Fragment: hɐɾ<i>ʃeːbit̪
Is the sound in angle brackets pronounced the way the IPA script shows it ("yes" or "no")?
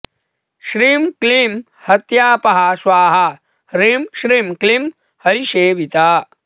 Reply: yes